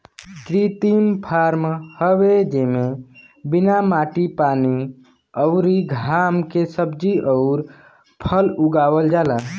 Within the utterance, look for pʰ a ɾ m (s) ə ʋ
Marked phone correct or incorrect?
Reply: incorrect